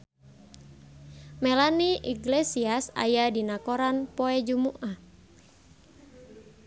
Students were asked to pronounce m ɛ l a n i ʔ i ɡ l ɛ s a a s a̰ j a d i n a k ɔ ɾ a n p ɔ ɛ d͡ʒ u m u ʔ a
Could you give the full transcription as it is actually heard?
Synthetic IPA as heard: m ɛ l a n i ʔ i ɡ l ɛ s i a s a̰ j a d i n a k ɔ ɾ a n p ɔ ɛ d͡ʒ u m u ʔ a